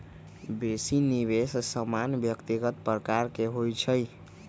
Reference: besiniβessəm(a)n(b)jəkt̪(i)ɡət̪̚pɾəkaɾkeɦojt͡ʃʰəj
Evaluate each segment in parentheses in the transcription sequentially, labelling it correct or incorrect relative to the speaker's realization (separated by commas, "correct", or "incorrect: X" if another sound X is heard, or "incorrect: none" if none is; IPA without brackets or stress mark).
correct, correct, correct